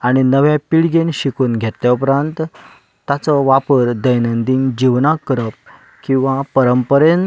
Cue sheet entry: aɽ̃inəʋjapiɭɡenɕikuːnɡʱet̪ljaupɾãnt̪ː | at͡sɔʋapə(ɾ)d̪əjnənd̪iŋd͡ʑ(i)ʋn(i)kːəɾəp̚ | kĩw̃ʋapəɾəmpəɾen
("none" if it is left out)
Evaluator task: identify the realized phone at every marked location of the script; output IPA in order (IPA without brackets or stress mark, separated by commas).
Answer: ɾ, i, a